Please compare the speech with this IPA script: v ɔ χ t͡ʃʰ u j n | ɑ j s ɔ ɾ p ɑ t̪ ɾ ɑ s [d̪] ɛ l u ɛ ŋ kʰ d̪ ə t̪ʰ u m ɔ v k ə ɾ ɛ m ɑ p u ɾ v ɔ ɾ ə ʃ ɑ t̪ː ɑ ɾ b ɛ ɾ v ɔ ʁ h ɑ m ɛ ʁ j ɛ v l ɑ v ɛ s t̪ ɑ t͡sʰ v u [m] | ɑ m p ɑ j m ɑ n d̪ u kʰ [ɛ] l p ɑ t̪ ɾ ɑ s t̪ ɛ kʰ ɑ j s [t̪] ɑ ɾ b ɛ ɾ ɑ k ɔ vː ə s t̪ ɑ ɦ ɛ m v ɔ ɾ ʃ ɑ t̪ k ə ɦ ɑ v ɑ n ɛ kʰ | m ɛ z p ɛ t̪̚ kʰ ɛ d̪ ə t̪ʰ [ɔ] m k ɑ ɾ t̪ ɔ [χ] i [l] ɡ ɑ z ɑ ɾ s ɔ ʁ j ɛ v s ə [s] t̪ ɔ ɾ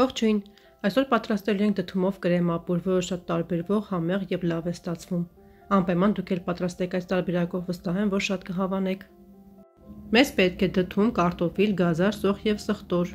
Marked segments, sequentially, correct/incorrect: incorrect: t̪, correct, correct, correct, incorrect: u, incorrect: f, correct, incorrect: χ

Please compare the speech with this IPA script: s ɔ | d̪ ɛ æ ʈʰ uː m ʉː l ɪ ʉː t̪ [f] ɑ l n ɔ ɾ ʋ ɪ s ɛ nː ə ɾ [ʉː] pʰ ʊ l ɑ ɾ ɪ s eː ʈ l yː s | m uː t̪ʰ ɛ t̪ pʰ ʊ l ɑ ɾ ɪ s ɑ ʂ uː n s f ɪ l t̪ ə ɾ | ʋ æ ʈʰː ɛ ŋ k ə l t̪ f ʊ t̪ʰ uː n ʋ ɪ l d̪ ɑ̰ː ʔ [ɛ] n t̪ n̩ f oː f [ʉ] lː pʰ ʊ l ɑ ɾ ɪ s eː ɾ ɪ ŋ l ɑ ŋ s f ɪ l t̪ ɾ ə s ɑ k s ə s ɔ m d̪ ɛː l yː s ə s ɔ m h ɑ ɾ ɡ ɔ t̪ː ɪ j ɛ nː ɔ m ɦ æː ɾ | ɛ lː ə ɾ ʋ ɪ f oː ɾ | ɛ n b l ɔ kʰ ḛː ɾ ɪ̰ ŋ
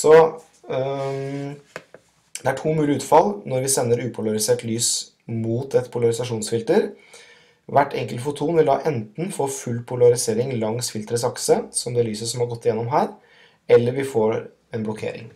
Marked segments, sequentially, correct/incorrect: correct, correct, correct, correct

